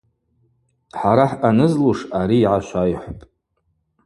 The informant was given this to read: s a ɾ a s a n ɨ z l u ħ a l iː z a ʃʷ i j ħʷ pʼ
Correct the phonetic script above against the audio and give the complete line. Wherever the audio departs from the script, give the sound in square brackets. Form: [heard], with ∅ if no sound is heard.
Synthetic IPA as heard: [ħ] a ɾ a [ħ] a n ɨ z l u [ʂ] a [ɾ] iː [ʕ] a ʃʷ [a] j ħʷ pʼ